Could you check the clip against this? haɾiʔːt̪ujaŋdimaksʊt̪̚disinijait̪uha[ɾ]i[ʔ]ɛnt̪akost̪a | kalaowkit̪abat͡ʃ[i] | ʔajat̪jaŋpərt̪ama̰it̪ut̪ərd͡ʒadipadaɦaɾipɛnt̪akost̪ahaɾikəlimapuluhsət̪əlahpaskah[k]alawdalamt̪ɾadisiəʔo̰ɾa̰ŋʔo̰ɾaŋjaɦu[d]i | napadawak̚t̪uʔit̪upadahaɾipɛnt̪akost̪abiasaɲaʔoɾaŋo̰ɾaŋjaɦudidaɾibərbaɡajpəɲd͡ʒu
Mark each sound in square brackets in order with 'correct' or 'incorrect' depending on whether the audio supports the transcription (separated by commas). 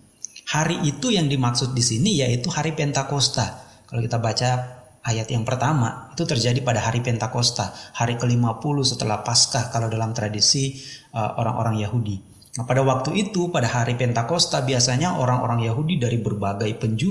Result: correct, incorrect, incorrect, correct, correct